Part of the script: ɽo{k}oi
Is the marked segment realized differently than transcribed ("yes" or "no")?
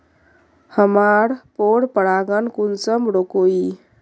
no